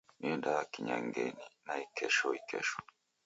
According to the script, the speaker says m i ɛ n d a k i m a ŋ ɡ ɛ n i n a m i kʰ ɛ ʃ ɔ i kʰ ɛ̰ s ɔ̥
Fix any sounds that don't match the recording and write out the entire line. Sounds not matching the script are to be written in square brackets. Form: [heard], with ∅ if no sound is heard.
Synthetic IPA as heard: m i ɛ n d a k i [ɲ] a ŋ ɡ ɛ n i n a [∅] i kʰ ɛ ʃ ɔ i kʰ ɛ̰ [ʃ] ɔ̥